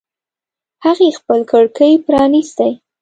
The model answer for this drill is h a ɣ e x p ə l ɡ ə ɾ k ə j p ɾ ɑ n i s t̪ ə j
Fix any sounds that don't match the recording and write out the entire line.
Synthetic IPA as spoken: h a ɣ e x p ə l k ə ɽ k ə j p ɾ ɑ n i s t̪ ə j